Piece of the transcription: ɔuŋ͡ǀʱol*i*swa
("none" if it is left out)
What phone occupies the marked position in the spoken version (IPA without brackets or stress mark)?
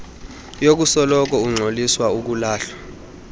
i